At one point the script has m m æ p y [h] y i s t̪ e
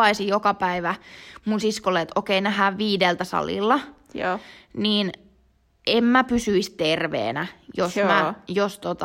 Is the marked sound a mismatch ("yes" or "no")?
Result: yes